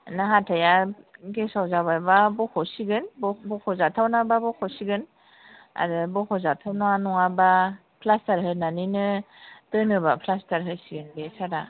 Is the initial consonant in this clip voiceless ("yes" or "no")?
no